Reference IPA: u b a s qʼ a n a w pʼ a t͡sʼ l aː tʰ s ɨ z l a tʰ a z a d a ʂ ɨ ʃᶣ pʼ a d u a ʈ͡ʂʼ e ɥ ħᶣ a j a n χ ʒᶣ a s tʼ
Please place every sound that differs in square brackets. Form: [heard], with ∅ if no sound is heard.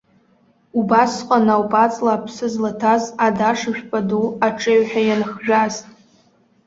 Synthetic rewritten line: u b a s qʼ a n a w pʼ a t͡sʼ l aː [pʰ] s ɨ z l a tʰ a z a d a ʂ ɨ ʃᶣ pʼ a d u a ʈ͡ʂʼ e ɥ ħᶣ a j a n χ ʒᶣ a [z] tʼ